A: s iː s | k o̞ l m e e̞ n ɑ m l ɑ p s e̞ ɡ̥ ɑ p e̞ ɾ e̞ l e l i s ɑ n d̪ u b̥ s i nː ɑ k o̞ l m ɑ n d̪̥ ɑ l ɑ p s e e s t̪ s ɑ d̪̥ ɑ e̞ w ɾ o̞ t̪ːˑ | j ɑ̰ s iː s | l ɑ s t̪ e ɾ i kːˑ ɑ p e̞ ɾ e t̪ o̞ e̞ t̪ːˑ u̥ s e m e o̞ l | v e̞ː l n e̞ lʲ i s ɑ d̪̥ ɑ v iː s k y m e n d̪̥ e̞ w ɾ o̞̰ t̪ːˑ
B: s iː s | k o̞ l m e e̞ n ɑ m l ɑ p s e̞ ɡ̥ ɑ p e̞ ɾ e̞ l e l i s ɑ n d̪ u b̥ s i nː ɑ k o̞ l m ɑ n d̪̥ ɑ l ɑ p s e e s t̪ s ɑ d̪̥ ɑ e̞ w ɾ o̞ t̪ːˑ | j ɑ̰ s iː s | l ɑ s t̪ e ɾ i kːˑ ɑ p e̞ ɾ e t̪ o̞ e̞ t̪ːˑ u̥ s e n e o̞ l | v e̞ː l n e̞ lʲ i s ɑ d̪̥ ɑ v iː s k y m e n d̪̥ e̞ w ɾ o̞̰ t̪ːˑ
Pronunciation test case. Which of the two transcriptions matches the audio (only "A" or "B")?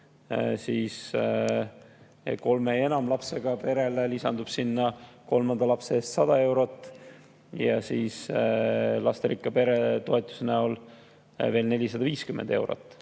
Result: B